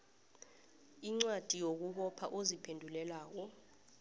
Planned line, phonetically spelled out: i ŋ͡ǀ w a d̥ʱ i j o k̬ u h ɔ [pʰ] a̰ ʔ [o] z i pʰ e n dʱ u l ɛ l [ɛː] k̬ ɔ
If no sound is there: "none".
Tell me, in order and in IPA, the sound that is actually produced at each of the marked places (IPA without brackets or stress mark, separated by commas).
pʰ, o, aː